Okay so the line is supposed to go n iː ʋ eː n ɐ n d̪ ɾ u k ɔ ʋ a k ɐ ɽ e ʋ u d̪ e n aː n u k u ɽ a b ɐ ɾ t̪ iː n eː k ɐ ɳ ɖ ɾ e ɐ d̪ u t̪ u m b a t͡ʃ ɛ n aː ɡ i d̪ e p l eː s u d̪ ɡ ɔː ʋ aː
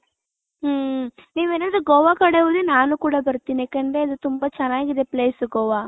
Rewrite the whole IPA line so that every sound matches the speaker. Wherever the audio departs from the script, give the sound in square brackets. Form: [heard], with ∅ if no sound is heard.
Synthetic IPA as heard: n iː ʋ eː n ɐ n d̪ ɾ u [ɡ] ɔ ʋ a k ɐ ɽ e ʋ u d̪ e n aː n u k [uː] ɽ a b ɐ ɾ t̪ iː n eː k ɐ ɳ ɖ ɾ e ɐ d̪ u t̪ u m b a t͡ʃ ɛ n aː ɡ i d̪ e p l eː s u [∅] ɡ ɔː ʋ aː